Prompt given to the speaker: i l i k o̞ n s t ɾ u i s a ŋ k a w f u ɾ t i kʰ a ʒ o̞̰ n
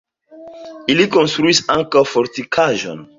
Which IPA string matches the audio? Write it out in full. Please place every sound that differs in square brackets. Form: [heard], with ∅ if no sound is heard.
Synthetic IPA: i l i k o̞ n s t ɾ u i s a ŋ k a w f [o] ɾ t i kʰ a ʒ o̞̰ n